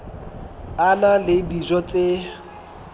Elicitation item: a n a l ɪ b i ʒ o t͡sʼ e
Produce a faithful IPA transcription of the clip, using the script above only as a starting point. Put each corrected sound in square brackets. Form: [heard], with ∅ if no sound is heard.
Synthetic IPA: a n a l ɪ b i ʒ [ɔ] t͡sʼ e